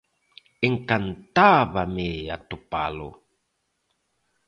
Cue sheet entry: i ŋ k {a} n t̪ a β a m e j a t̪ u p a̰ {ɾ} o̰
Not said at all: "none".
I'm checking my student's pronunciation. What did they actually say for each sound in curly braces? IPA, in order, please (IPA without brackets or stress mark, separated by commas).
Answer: a, l